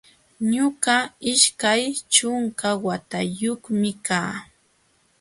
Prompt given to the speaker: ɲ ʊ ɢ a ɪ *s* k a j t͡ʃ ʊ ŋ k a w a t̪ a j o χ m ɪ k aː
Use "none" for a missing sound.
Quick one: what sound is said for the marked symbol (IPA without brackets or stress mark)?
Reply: ʃ